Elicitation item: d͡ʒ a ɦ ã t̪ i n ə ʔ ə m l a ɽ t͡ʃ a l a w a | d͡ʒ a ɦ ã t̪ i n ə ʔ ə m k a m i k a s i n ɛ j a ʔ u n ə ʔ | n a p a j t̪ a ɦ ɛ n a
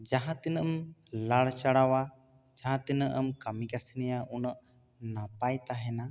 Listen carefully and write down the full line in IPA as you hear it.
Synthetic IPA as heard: d͡ʒ a ɦ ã t̪ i n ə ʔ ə m l a ɽ t͡ʃ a ɽ a w a | d͡ʒ a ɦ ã t̪ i n ə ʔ ə m k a m i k a s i n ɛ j a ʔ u n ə ʔ | n a p a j t̪ a ɦ ɛ n a